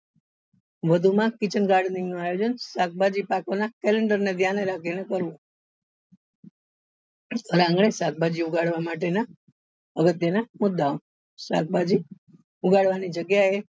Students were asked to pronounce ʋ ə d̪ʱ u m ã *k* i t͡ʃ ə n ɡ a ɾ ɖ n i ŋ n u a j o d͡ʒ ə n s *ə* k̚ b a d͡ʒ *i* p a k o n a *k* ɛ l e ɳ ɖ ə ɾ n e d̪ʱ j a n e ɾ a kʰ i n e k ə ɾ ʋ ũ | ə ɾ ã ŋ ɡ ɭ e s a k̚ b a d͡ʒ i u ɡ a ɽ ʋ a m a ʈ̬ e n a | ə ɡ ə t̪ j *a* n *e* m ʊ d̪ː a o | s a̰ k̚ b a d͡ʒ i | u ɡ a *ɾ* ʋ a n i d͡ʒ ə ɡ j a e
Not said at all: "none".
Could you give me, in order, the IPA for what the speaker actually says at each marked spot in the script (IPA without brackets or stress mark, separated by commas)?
k, a, i, k, ə, a, ɽ